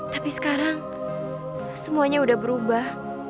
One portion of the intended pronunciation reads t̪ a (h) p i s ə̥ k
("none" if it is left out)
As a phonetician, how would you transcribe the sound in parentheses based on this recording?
none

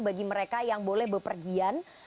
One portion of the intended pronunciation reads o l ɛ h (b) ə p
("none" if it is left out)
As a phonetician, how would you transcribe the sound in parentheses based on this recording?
b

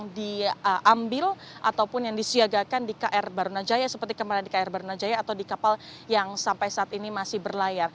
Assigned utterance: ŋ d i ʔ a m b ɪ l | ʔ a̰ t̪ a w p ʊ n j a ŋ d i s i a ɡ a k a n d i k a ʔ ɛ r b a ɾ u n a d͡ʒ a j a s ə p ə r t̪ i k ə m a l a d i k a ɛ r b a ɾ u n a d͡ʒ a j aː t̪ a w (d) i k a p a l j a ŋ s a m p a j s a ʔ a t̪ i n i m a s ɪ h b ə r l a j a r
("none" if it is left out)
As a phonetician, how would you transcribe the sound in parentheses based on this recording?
d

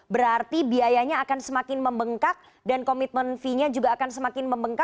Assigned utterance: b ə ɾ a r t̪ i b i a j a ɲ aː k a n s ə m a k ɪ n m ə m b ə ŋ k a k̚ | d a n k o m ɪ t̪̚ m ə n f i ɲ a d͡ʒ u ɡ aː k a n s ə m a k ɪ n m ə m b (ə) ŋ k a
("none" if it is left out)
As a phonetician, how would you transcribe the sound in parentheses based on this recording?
ə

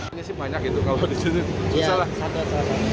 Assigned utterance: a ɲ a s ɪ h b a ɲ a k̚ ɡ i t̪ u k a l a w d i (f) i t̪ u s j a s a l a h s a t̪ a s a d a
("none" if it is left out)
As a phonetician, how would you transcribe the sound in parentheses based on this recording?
s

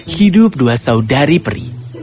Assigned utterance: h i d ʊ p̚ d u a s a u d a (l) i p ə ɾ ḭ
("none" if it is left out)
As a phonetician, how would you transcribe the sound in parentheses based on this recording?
ɾ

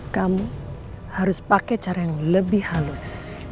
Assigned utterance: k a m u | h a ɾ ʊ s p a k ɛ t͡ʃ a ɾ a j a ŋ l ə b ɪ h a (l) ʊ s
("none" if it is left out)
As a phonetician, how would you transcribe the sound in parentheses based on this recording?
l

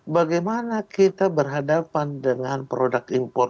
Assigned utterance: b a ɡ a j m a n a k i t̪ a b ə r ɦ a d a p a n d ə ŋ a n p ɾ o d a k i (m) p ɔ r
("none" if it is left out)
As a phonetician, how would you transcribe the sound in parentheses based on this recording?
m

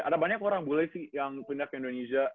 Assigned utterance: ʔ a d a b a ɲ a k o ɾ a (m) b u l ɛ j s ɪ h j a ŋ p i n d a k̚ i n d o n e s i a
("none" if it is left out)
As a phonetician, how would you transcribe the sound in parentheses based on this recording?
ŋ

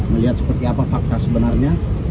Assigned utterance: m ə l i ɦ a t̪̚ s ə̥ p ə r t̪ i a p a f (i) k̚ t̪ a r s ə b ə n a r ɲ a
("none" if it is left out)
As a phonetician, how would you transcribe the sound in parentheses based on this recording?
a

